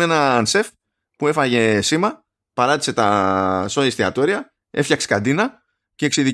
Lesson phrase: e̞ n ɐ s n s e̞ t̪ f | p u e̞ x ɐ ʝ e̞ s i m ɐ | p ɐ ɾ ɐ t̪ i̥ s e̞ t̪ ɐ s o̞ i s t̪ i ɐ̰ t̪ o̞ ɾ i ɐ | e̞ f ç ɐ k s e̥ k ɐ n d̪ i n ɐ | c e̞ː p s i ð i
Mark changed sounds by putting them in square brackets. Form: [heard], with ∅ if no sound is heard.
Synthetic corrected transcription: e̞ n ɐ [∅] n s e̞ [∅] f | p u e̞ [f] ɐ ʝ e̞ s i m ɐ | p ɐ ɾ ɐ t̪ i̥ s e̞ t̪ ɐ s o̞ i s t̪ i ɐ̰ t̪ o̞ ɾ i ɐ | e̞ f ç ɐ k s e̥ k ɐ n d̪ i n ɐ | c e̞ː [k] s i ð i